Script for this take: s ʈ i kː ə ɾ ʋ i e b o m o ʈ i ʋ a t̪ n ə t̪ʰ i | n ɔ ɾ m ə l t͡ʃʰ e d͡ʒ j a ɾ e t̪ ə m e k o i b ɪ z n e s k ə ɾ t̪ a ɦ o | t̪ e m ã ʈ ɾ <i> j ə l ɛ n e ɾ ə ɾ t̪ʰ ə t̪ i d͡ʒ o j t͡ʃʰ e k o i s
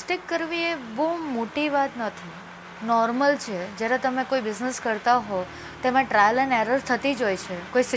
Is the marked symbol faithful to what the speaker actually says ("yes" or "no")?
no